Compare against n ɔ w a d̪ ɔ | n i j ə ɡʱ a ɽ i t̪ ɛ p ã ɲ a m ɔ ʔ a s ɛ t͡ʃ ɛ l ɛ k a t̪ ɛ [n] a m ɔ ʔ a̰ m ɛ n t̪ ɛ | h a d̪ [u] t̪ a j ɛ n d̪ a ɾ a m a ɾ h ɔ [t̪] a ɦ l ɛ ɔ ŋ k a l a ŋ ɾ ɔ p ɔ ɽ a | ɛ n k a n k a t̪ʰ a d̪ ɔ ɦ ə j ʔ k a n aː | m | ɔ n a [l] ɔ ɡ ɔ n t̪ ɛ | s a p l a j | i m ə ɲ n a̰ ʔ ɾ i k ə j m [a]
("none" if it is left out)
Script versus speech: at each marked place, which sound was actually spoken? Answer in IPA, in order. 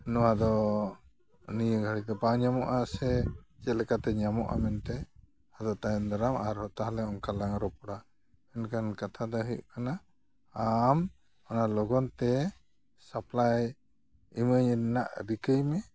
ɲ, ɔ, t̪, l, ɛ

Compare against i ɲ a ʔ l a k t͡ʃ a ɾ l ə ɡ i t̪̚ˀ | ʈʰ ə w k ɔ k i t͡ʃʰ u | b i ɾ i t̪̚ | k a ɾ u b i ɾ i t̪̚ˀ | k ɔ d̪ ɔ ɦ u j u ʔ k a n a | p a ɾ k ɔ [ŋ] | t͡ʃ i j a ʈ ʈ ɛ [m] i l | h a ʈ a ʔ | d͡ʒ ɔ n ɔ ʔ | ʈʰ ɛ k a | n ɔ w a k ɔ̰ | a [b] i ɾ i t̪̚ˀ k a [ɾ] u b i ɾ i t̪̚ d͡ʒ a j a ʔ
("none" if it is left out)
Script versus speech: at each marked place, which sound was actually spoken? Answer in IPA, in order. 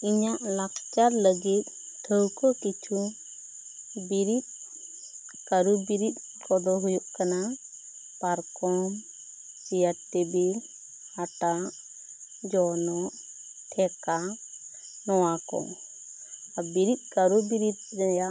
m, b, b, ɾ

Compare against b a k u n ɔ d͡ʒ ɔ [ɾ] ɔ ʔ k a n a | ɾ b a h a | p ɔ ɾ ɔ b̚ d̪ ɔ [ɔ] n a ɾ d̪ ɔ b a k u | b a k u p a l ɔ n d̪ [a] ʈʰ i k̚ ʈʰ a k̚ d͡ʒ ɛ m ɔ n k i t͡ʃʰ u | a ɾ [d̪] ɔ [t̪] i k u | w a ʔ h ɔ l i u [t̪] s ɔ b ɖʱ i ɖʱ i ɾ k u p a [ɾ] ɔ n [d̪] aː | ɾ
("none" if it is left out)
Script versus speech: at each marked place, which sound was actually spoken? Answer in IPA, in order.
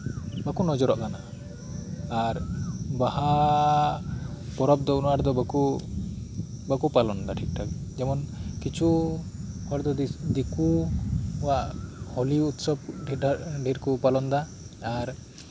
ɾ, u, a, d̪, d̪, t̪, l, d̪

